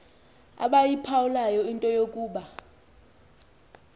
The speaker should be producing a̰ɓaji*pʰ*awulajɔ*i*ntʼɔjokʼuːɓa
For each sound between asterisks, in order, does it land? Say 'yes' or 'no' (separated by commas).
yes, yes